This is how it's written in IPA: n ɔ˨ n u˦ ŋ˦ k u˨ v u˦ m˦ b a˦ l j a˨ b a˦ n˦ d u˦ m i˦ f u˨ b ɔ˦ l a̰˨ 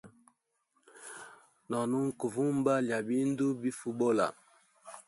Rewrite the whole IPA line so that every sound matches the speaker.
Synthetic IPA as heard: n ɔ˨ n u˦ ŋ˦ k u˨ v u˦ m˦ b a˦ l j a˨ b i˦ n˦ d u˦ b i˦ f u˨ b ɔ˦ l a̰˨